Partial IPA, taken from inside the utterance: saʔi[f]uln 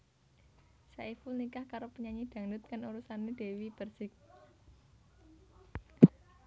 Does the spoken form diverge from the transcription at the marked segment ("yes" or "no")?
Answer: no